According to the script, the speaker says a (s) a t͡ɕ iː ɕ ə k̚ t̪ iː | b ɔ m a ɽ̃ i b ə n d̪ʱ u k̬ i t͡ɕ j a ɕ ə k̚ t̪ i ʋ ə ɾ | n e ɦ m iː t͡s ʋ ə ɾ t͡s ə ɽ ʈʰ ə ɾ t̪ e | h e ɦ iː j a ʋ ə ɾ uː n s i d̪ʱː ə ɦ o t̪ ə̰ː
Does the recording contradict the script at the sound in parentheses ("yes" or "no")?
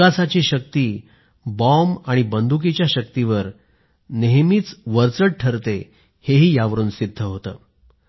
no